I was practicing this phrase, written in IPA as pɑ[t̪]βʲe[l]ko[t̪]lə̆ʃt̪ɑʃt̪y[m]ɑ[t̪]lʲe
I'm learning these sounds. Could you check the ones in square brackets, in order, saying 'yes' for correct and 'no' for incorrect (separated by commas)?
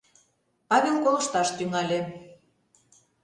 no, yes, no, no, no